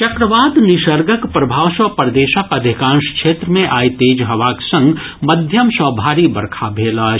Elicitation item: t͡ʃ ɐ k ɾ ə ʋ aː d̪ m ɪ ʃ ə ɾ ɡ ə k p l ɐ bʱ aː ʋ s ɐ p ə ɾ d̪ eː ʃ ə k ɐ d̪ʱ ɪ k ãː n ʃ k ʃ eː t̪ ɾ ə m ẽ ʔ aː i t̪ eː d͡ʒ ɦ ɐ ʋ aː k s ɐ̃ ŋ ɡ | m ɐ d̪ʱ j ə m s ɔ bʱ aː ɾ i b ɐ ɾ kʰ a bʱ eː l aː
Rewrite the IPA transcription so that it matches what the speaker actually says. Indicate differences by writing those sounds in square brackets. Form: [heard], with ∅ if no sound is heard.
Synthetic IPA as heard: t͡ʃ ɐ k ɾ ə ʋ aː d̪ [n] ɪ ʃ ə ɾ ɡ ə k p [ɾ] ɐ bʱ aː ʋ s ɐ p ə ɾ d̪ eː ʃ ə k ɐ d̪ʱ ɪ k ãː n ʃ k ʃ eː t̪ ɾ ə m ẽ ʔ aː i t̪ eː d͡ʒ ɦ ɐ ʋ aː k s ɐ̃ ŋ ɡ | m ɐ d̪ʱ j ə m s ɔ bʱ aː ɾ i b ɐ ɾ kʰ a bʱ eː l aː

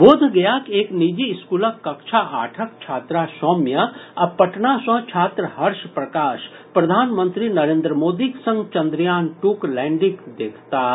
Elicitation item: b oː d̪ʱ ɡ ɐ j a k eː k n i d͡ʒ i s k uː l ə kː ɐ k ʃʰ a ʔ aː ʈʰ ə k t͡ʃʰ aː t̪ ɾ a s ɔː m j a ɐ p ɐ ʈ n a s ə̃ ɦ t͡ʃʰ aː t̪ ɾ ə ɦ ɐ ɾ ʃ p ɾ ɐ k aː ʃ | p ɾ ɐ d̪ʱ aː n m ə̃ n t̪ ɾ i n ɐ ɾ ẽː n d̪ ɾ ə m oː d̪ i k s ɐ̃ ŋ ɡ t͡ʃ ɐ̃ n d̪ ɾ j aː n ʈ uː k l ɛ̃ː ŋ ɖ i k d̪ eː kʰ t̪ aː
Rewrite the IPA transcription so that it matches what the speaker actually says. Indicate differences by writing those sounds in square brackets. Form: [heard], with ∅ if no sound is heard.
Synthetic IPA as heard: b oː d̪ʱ ɡ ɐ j a k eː k n i d͡ʒ i s k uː l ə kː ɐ k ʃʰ a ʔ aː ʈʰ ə k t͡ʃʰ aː t̪ ɾ a s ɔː m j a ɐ p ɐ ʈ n a s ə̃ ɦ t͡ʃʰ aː t̪ ɾ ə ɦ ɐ ɾ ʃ p ɾ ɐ k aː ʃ | p ɾ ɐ d̪ʱ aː n m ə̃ n t̪ ɾ i n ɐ ɾ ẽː n d̪ ɾ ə m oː d̪ i k s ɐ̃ ŋ ɡ t͡ʃ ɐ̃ n d̪ ɾ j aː n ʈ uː k l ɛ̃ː [ɳ] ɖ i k d̪ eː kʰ t̪ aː

